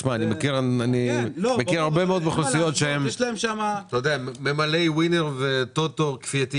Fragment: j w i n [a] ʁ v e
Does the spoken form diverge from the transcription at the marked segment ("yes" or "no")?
yes